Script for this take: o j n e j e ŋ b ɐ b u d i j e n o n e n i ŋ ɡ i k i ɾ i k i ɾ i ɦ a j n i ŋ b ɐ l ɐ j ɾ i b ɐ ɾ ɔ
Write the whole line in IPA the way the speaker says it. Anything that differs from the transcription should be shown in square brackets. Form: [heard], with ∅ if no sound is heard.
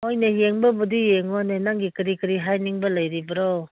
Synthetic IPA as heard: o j n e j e ŋ b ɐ b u d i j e [ŋ] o n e n [a] ŋ ɡ i k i ɾ i k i ɾ i ɦ a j n i ŋ b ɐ l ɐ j ɾ i b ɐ ɾ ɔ